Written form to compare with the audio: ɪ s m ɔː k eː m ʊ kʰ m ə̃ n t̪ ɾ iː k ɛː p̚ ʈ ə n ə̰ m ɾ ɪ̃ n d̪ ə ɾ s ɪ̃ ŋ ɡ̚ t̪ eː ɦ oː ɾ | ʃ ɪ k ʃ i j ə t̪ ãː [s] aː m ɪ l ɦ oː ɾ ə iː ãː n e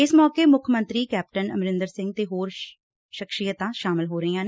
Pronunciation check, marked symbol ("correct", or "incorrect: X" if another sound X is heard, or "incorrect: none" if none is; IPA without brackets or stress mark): incorrect: ʃ